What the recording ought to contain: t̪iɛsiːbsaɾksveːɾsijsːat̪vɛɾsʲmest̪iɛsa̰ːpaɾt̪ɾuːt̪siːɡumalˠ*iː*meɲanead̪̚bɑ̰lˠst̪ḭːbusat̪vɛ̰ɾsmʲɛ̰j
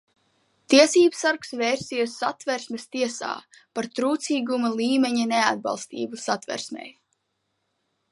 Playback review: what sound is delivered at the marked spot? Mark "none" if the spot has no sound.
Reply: iː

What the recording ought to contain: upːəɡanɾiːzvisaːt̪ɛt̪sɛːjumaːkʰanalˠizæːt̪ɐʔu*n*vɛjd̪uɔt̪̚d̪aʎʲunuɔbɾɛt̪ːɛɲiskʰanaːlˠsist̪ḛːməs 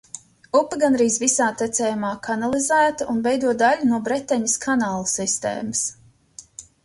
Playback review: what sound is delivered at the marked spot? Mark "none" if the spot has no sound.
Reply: n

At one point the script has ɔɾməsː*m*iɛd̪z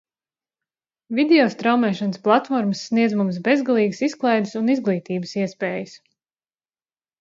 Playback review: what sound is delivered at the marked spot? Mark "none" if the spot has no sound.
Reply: n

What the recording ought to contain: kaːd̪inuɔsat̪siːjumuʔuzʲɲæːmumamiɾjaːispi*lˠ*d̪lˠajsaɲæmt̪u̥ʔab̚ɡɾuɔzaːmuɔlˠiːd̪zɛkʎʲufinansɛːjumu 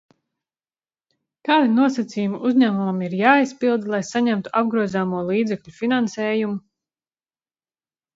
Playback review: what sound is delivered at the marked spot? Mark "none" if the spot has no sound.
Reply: lˠ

